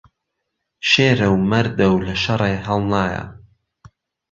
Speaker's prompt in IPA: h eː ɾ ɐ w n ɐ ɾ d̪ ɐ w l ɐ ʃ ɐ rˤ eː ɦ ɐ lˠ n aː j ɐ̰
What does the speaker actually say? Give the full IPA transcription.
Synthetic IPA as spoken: ʃ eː ɾ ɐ w m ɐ ɾ d̪ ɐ w l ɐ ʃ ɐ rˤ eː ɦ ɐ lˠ n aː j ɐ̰